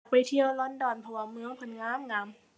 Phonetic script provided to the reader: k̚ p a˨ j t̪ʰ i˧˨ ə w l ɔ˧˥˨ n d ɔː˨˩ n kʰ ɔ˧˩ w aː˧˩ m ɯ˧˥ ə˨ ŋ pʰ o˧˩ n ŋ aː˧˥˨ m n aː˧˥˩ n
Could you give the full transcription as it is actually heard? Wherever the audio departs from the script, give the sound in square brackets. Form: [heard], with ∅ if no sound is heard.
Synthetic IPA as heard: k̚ p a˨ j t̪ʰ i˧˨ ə w l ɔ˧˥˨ n d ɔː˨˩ n [pʰ] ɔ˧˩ w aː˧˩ m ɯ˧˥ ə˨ ŋ pʰ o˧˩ n ŋ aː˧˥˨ m [ŋ] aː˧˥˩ [m]